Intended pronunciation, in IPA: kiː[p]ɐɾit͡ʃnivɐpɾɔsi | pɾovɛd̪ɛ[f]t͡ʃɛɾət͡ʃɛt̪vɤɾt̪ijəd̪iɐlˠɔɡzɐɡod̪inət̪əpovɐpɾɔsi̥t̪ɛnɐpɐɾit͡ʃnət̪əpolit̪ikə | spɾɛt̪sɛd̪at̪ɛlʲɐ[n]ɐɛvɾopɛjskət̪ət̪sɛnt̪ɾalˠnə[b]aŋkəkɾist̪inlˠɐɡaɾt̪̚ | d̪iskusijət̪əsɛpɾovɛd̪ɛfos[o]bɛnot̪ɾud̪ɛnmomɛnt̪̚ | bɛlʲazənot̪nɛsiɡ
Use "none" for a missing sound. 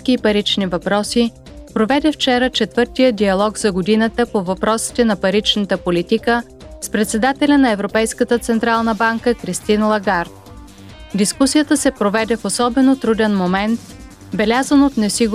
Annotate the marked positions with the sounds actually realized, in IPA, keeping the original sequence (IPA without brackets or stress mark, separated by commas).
p, f, n, b, ɔ